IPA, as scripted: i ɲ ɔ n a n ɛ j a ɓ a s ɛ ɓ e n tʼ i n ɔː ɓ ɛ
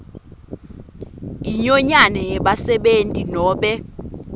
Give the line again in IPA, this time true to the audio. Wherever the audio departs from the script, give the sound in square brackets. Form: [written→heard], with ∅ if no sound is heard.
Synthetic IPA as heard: i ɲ ɔ [n→ɲ] a n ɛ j [a→ɛ] ɓ a s ɛ ɓ e n tʼ i n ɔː ɓ ɛ